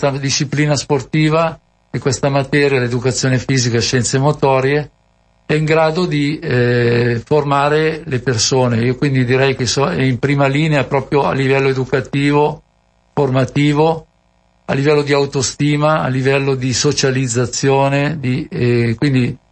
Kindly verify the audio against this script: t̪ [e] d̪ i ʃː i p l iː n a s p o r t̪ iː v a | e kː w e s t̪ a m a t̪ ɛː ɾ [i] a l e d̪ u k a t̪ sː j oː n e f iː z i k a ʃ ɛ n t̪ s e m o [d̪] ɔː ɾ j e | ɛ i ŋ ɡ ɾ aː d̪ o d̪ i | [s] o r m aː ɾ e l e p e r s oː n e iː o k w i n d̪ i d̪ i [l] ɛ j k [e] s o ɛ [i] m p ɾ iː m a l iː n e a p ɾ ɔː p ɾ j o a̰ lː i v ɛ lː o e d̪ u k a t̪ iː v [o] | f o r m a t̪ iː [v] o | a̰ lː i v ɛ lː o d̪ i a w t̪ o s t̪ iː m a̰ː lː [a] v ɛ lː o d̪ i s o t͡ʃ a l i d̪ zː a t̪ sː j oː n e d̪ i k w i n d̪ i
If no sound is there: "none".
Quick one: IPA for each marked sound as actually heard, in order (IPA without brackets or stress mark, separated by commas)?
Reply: a, j, t̪, f, ɾ, e, i, o, v, i